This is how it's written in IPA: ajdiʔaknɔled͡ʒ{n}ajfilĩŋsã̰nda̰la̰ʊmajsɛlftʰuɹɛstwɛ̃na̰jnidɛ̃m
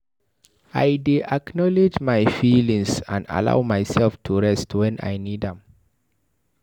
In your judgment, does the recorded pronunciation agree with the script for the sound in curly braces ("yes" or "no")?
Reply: no